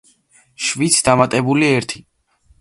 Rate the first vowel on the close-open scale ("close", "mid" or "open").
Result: close